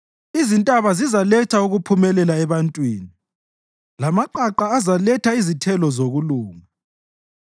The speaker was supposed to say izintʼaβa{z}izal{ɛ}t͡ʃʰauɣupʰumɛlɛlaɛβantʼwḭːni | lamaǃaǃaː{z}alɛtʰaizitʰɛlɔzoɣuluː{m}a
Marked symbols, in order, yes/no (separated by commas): yes, yes, yes, no